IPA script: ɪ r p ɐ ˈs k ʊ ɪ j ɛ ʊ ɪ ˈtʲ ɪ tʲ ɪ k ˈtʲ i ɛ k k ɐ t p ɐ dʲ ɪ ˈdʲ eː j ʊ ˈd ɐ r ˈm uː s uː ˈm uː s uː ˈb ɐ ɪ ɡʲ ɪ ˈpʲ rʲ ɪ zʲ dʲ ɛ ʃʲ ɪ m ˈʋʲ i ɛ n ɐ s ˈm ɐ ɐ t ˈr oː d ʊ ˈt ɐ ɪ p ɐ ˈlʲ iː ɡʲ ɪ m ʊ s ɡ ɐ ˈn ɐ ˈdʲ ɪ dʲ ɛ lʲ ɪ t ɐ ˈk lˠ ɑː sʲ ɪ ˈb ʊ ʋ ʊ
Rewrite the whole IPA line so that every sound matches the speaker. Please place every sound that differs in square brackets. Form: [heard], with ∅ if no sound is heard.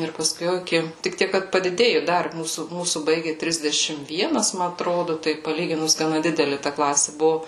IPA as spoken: ɪ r p ɐ ˈs k ʊ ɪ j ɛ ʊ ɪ [ˈkʲ] ɪ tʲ ɪ k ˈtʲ i ɛ k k ɐ t p ɐ dʲ ɪ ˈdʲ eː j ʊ ˈd ɐ r ˈm uː s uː ˈm uː s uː ˈb ɐ ɪ ɡʲ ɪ [ˈtʲ] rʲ ɪ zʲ dʲ ɛ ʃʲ ɪ m ˈʋʲ i ɛ n ɐ s ˈm ɐ ɐ t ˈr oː d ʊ ˈt ɐ ɪ p ɐ ˈlʲ iː ɡʲ ɪ [n] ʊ s ɡ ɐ ˈn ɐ ˈdʲ ɪ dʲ ɛ lʲ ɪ t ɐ ˈk lˠ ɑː sʲ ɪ ˈb ʊ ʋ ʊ